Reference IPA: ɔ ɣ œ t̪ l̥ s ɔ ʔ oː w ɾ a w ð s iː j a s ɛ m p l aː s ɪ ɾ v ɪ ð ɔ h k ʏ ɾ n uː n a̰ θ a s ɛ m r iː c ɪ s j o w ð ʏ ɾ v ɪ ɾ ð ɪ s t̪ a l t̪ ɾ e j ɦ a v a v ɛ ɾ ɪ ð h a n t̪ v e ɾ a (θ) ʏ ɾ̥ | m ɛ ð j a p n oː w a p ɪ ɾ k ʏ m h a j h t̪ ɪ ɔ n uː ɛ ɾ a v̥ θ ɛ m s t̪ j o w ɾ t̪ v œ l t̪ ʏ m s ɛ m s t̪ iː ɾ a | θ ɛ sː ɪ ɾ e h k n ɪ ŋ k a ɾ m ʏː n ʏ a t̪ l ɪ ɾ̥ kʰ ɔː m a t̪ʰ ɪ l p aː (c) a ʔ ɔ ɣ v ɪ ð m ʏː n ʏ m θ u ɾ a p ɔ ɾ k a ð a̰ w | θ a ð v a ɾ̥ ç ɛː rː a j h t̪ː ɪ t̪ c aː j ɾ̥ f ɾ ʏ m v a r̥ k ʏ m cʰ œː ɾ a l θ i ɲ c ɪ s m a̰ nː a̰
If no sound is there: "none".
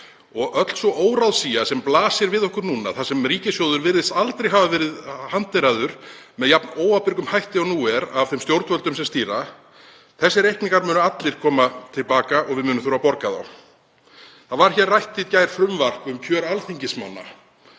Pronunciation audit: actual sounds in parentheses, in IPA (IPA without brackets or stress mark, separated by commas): ð, k